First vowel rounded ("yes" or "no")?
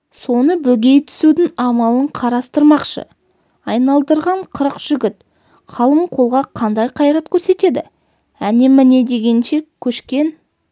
yes